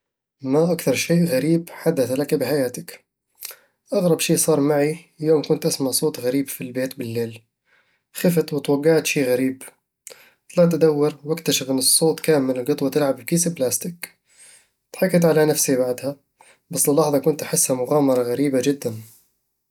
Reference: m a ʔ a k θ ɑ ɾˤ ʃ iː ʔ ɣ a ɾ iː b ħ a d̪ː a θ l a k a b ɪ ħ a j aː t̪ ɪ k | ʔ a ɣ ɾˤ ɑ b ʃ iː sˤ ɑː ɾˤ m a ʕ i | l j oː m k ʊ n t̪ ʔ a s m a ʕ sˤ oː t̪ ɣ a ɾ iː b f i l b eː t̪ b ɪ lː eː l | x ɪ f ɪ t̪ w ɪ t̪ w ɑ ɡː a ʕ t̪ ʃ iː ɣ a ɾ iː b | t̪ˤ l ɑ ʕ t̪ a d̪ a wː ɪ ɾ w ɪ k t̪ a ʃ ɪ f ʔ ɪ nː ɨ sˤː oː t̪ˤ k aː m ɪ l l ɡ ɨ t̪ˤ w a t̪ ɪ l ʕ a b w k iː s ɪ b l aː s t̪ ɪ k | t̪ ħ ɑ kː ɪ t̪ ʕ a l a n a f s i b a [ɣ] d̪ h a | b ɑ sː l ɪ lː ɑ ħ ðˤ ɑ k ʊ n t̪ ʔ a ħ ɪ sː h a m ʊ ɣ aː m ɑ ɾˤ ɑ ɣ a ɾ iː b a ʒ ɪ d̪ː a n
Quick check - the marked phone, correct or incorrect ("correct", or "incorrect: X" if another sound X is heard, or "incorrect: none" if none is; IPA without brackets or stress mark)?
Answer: incorrect: ʕ